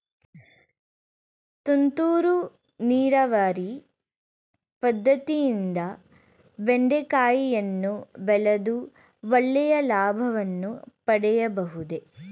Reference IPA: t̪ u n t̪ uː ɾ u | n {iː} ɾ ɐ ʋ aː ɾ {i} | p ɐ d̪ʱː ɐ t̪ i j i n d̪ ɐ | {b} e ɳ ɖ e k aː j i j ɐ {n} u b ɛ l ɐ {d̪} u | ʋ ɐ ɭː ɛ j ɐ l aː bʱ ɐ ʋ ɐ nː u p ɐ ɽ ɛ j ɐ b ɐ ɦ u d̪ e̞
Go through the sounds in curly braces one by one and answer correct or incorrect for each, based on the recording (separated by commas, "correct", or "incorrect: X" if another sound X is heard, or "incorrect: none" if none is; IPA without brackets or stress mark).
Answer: correct, correct, correct, incorrect: nː, correct